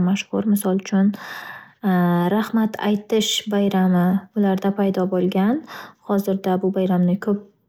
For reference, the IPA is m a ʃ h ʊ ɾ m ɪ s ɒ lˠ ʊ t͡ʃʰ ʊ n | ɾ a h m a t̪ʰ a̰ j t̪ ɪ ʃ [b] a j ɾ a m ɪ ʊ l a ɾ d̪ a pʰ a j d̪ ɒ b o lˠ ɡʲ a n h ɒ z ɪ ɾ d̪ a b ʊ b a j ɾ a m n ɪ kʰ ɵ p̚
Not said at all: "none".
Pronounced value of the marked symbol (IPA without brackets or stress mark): b